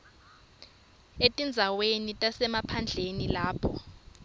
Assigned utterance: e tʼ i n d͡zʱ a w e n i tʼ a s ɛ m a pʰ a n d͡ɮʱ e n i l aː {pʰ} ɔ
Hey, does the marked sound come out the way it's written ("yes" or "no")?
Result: yes